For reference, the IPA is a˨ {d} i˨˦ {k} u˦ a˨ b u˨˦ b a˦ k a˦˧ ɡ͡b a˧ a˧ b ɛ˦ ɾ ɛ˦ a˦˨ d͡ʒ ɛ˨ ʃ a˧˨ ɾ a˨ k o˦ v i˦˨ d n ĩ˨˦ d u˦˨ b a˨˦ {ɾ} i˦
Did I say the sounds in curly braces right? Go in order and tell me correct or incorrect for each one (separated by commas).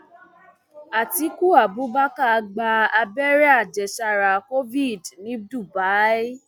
incorrect, correct, incorrect